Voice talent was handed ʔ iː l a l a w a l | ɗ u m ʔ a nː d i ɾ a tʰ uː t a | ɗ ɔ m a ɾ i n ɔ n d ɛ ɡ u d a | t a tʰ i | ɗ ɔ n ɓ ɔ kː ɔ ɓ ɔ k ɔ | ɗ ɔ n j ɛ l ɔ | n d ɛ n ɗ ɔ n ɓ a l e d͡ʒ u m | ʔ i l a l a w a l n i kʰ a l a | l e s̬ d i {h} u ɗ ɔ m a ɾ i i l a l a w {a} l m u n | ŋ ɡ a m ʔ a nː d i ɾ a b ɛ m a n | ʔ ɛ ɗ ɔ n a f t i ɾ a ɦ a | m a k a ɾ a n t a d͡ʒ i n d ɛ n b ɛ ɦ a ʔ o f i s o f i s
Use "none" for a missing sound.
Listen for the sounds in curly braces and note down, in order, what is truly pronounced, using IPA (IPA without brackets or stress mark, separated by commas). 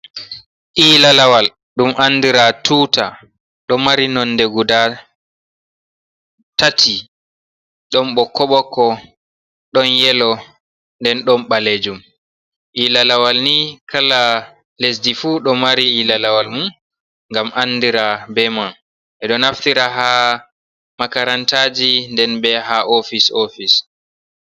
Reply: f, a